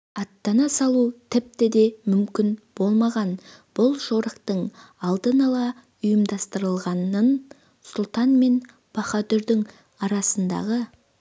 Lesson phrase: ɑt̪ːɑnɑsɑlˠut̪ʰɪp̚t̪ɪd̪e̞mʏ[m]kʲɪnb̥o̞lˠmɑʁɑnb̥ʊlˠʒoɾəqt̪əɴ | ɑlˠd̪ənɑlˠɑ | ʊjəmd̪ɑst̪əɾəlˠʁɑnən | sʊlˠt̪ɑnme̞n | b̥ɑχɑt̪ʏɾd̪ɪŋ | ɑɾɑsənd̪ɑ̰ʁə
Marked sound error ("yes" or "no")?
no